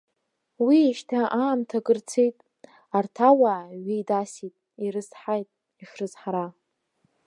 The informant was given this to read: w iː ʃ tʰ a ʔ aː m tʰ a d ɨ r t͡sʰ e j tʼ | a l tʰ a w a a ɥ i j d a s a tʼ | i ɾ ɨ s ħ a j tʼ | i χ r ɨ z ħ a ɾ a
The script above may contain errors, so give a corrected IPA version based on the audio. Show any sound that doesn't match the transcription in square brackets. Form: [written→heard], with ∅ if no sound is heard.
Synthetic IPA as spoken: w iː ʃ tʰ a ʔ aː m tʰ a [d→ɡ] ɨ r t͡sʰ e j tʼ | a [l→r] tʰ a w a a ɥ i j d a s [a→i] tʼ | i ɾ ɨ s ħ a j tʼ | i [χ→ʂ] r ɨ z ħ a ɾ a